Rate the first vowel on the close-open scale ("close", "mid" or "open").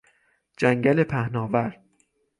open